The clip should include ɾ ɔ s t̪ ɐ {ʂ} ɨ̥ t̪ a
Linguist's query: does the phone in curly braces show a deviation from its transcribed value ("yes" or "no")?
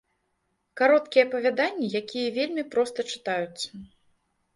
yes